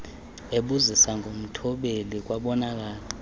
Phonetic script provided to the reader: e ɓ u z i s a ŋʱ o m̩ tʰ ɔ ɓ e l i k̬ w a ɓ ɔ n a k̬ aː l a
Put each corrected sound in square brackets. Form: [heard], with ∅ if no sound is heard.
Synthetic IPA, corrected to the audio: e ɓ u z i s a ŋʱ o m̩ tʰ ɔ ɓ e l i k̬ w a ɓ ɔ n a k̬ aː l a